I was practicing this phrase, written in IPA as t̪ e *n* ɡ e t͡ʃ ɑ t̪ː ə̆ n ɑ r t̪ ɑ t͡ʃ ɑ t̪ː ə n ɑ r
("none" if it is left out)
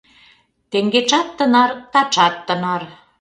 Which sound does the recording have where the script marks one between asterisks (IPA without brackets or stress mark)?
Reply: ŋ